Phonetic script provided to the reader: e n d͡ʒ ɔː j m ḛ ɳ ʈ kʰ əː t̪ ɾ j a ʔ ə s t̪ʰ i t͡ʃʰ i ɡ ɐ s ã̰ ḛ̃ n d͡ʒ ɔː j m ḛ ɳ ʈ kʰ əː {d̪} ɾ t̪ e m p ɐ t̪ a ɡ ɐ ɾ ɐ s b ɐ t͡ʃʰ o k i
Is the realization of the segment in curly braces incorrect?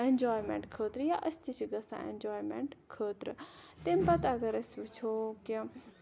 yes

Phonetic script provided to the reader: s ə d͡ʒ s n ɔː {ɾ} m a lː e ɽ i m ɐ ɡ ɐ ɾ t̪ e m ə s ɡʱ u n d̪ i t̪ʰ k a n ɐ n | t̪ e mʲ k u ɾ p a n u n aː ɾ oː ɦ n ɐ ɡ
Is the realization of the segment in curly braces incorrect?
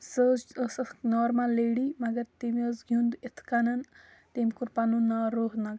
no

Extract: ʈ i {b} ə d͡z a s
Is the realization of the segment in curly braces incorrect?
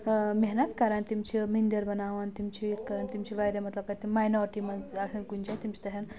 yes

